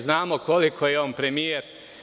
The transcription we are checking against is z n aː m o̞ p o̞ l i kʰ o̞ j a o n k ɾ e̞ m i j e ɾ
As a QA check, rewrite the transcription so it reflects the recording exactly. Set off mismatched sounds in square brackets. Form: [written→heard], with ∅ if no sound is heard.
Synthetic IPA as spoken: z n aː m o̞ [p→k] o̞ l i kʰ o̞ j [a→e] o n [k→p] ɾ e̞ m i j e ɾ